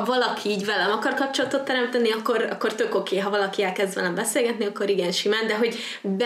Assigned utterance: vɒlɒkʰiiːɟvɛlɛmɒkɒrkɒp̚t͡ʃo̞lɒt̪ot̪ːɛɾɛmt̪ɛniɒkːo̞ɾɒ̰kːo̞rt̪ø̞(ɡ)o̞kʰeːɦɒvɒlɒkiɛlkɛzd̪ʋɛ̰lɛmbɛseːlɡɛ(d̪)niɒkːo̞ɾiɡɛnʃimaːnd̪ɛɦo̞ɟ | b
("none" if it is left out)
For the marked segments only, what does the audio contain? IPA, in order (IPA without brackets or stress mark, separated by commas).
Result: k, t̪